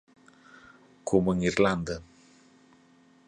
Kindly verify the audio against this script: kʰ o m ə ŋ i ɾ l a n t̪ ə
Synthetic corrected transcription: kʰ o m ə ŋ i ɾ l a n d̪ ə